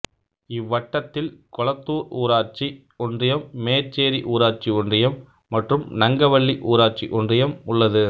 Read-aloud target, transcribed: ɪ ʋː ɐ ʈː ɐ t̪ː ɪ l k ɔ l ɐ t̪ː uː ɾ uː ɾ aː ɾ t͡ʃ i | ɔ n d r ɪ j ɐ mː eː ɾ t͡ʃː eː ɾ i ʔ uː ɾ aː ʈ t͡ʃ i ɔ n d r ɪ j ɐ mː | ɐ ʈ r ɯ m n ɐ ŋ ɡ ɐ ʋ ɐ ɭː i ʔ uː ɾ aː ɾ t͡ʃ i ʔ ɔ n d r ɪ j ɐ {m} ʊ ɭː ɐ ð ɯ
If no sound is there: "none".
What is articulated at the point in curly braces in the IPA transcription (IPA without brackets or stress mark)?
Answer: m